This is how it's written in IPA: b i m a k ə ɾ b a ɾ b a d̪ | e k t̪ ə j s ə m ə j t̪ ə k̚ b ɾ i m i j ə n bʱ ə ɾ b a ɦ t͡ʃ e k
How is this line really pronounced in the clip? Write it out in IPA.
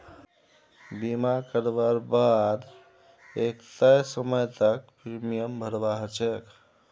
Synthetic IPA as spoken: b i m a k ə ɾ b a ɾ b a d̪ | e k t̪ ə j s ə m ə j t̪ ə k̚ p ɾ i m i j ə m bʱ ə ɾ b a ɦ t͡ʃ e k

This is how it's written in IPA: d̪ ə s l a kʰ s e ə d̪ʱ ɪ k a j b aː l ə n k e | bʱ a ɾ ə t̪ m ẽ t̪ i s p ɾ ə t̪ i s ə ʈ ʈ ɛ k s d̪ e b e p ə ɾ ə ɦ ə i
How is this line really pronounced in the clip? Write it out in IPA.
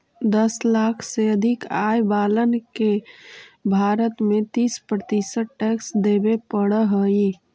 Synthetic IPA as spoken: d̪ ə s l a kʰ s e ə d̪ʱ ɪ k a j b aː l ə n k e | bʱ a ɾ ə t̪ m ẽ t̪ i s p ɾ ə t̪ i s ə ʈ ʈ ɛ k s d̪ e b e p ə ɽ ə ɦ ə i

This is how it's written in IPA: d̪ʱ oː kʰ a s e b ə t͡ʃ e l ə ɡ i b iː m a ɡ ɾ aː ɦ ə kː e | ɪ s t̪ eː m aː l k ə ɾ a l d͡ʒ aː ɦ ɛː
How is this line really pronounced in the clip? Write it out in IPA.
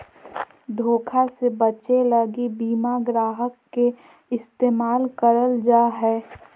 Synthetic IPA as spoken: d̪ʱ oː kʰ a s e b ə t͡ʃ e l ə ɡ i b iː m a ɡ ɾ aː ɦ ə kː e | ɪ s t̪ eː m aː l k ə ɾ ə l d͡ʒ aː ɦ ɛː

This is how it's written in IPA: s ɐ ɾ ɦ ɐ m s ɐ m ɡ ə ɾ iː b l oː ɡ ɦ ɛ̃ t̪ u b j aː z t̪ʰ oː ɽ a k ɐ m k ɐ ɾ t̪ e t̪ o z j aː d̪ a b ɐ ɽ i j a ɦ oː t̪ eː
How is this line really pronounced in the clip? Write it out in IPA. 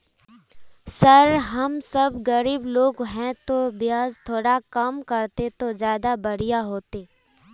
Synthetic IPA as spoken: s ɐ ɾ ɦ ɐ m s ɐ b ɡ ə ɾ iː b l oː ɡ ɦ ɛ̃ t̪ o b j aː z t̪ʰ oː ɽ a k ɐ m k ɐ ɾ t̪ e t̪ o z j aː d̪ a b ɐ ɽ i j a ɦ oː t̪ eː

